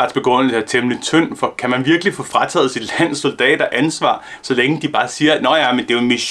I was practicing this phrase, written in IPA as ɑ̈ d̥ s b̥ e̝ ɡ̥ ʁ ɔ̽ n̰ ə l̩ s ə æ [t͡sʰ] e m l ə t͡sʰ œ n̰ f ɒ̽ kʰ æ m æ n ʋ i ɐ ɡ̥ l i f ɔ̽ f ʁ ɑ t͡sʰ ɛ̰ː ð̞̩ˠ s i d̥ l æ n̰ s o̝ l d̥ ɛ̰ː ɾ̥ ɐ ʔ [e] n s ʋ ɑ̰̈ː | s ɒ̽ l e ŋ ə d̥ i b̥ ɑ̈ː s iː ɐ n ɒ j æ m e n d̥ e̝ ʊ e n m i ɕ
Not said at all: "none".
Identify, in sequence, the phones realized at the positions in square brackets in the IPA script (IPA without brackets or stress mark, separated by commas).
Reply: t͡sʰ, æ